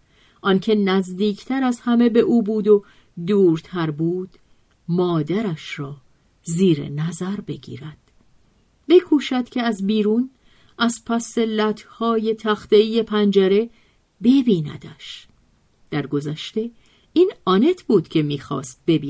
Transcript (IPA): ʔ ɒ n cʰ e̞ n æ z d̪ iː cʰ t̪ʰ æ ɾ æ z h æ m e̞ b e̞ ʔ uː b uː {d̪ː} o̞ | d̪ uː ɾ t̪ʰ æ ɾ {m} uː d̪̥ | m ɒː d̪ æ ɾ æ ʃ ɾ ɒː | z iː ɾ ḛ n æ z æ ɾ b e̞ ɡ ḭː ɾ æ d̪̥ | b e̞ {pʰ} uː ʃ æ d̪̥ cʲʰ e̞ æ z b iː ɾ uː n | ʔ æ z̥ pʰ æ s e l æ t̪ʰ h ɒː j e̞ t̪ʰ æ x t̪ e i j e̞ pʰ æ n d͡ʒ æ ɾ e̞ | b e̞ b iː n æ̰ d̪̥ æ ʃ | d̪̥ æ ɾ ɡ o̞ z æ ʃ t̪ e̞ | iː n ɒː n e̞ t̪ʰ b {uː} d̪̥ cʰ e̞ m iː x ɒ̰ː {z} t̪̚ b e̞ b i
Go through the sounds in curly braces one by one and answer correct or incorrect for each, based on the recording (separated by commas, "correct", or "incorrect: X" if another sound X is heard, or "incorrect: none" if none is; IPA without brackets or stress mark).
incorrect: d̪, incorrect: b, incorrect: kʰ, correct, incorrect: s